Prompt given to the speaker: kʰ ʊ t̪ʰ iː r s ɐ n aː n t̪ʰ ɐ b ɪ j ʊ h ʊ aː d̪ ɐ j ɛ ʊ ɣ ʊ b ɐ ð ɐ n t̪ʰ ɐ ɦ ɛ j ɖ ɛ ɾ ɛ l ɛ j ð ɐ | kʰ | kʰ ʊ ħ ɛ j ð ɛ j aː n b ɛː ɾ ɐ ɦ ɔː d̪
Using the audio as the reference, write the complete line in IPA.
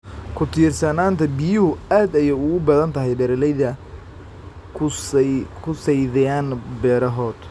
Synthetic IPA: kʰ ʊ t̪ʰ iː r s ɐ n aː n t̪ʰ ɐ b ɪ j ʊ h ʊ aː d̪ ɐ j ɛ ʊ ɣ ʊ b ɐ ð ɐ n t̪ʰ ɐ ɦ ɛ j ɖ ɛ ɾ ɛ l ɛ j ð ɐ | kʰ | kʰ ʊ s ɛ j ð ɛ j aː n b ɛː ɾ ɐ ɦ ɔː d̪

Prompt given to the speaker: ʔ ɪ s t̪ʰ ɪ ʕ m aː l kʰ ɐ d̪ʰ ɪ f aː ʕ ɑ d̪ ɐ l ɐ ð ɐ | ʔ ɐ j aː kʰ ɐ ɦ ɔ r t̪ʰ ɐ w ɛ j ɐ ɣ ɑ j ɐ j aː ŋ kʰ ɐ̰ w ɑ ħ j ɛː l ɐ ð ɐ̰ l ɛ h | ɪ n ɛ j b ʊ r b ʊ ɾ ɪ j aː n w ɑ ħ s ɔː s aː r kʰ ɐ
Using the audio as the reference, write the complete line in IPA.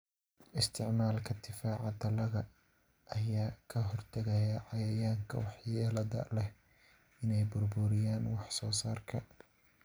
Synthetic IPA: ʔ ɪ s t̪ʰ ɪ ʕ m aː l kʰ ɐ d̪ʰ ɪ f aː ʕ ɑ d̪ ɐ l ɐ ɣ ɐ | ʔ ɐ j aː kʰ ɐ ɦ ɔ r t̪ʰ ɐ ɣ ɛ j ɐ ʕ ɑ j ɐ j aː ŋ kʰ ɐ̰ w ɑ ħ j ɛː l ɐ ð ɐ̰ l ɛ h | ɪ n ɛ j b ʊ r b ʊ ɾ ɪ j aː n w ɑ ħ s ɔː s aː r kʰ ɐ

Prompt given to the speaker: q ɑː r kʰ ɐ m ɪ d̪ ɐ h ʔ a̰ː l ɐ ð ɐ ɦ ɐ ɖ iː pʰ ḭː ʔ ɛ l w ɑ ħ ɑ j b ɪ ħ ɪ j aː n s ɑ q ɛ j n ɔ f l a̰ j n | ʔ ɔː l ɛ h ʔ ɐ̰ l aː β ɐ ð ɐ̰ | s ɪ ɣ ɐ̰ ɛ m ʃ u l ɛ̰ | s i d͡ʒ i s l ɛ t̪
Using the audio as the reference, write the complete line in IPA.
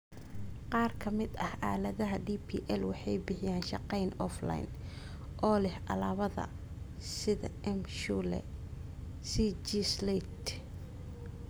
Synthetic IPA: q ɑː r kʰ ɐ m ɪ d̪ ɐ h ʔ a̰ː l ɐ ð ɐ ɦ ɐ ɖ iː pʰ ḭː ʔ ɛ l w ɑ ħ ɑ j b ɪ ħ ɪ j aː n ʃ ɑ q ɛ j n ɔ f l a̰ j n | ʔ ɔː l ɛ h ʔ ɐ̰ l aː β ɐ ð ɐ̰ | s ɪ ð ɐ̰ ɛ m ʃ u l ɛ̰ | s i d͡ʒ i s l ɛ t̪

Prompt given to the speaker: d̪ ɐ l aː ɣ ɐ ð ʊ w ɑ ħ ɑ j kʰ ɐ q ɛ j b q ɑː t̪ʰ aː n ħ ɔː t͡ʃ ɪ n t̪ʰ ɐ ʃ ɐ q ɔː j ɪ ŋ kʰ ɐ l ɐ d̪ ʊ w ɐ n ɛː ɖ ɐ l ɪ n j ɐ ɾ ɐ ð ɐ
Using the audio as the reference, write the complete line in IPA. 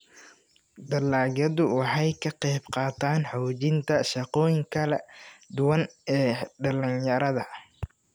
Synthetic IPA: d̪ ɐ l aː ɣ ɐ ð ʊ w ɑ ħ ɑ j kʰ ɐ q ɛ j b q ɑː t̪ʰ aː n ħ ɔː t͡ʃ ɪ n t̪ʰ ɐ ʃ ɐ q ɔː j ɪ ŋ kʰ ɐ l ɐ d̪ ʊ w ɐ n ɛː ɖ ɐ l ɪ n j ɐ ɾ ɐ ð ɐ

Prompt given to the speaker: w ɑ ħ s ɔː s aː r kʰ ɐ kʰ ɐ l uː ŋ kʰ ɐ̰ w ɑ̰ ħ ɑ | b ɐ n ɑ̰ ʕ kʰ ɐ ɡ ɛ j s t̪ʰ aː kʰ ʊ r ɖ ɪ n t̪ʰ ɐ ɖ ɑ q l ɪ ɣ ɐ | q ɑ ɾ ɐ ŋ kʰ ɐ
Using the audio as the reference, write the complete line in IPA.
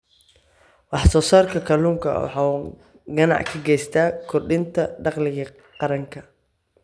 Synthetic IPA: w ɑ ħ s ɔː s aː r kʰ ɐ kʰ ɐ l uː ŋ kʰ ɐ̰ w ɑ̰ ħ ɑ | ɡ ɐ n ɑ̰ ʕ kʰ ɐ ɡ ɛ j s t̪ʰ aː kʰ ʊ r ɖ ɪ n t̪ʰ ɐ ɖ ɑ q l ɪ ɣ ɐ | q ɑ ɾ ɐ ŋ kʰ ɐ

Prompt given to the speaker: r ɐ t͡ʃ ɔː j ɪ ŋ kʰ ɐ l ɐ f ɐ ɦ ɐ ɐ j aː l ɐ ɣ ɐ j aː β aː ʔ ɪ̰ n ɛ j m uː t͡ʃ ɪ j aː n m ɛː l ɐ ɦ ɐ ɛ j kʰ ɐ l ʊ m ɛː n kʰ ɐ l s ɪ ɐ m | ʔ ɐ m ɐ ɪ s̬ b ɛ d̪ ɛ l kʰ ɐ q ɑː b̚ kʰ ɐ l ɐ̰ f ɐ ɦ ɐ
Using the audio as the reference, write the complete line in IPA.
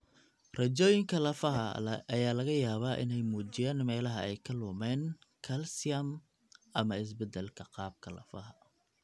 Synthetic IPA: r ɐ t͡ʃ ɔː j ɪ ŋ kʰ ɐ l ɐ f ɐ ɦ ɐ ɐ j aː l ɐ ɣ ɐ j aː β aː ʔ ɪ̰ n ɛ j m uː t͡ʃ ɪ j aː n m ɛː l ɐ ɦ ɐ ɛ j kʰ ɐ l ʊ m ɛː n kʰ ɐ l s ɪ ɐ m | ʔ ɐ m ɐ ɪ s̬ b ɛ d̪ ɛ l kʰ ɐ q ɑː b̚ kʰ ɐ l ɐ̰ f ɐ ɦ ɐ

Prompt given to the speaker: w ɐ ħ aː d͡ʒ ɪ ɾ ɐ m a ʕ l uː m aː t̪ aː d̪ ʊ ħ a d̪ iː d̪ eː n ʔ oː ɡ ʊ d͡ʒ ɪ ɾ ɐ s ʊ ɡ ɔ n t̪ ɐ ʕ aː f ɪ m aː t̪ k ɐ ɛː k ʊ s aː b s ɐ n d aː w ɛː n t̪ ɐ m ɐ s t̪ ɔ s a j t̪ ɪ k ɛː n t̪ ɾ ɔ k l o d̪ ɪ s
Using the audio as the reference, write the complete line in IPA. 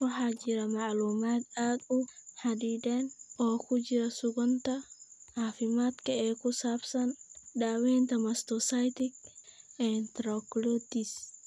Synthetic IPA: w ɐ ħ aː d͡ʒ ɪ ɾ ɐ m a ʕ l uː m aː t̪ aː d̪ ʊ ħ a d̪ iː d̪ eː n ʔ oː k ʊ d͡ʒ ɪ ɾ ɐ s ʊ ɡ ɔ n t̪ ɐ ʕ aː f ɪ m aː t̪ k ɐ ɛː k ʊ s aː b s ɐ n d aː w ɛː n t̪ ɐ m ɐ s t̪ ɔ s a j t̪ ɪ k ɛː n t̪ ɾ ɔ k l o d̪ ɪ s

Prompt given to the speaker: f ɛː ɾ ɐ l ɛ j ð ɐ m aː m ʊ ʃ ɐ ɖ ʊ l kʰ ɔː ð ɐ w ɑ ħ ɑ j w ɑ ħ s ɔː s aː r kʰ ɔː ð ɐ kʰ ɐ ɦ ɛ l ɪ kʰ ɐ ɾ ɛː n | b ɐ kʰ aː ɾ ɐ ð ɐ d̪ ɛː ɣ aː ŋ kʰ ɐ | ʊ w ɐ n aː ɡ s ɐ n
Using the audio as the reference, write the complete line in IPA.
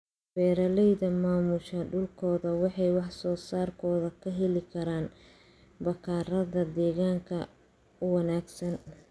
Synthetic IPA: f ɛː ɾ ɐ l ɛ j ð ɐ m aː m ʊ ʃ ɐ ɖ ʊ l kʰ ɔː ð ɐ w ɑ ħ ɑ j w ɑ ħ s ɔː s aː r kʰ ɔː ð ɐ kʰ ɐ ɦ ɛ l ɪ kʰ ɐ ɾ aː n | b ɐ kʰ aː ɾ ɐ ð ɐ d̪ ɛː ɣ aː ŋ kʰ ɐ | ʊ w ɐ n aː ɡ s ɐ n

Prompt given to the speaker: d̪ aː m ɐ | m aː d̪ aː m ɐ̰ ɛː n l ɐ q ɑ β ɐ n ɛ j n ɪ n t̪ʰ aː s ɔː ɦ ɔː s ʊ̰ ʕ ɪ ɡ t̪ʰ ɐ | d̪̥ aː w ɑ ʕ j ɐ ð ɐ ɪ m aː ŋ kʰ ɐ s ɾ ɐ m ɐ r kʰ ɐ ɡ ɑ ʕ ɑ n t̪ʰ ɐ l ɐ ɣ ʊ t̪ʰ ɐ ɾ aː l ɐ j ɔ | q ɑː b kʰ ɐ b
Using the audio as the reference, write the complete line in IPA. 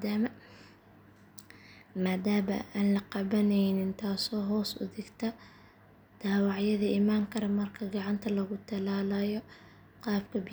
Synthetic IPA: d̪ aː m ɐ | m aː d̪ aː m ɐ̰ aː n l ɐ q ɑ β ɐ n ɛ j n ɪ n t̪ʰ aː s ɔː ɦ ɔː s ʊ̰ ð ɪ ɡ t̪ʰ ɐ | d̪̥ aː w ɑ ʕ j ɐ ð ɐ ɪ m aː ŋ kʰ ɐ ɾ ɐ m ɐ r kʰ ɐ ɡ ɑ ʕ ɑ n t̪ʰ ɐ l ɐ ɣ ʊ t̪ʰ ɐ l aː l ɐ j ɔ | q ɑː b kʰ ɐ b

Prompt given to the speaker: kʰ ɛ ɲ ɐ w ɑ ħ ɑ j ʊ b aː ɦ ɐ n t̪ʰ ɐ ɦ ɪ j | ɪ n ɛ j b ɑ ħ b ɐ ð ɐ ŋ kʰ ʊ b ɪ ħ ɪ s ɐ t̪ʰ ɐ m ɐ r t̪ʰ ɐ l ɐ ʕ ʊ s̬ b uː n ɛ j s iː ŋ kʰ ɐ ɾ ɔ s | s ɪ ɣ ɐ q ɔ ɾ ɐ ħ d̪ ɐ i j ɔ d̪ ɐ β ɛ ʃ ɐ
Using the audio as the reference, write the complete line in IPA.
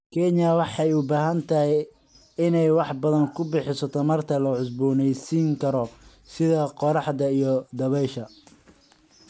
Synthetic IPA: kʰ ɛ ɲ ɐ w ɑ ħ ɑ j ʊ b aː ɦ ɐ n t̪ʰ ɐ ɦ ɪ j | ɪ n ɛ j w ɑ ħ b ɐ ð ɐ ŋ kʰ ʊ b ɪ ħ ɪ s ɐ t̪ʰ ɐ m ɐ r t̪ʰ ɐ l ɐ ʕ ʊ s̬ b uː n ɛ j s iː ŋ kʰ ɐ ɾ ɔ | s ɪ ð ɐ q ɔ ɾ ɑ ħ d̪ ɐ i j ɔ d̪ ɐ β ɛ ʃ ɐ

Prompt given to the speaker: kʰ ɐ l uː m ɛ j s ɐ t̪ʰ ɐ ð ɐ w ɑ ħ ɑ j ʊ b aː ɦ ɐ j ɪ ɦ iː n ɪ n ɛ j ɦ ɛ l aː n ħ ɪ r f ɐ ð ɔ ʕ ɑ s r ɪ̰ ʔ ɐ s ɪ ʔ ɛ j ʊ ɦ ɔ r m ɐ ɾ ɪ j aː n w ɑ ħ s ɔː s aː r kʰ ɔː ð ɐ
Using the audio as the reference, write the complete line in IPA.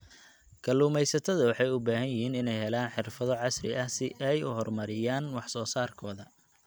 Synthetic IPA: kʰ ɐ l uː m ɛ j s ɐ t̪ʰ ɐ ð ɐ w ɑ ħ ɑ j ʊ b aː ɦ ɐ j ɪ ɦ iː n ɪ n ɛ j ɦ ɛ l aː n ħ ɪ r f ɐ ð ɔ ʕ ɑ s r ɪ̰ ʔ ɐ s ɪ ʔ ɛ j ʊ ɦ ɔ r m ɐ ɾ ɪ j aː n w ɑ ħ s ɔː s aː r kʰ ɔː ð ɐ

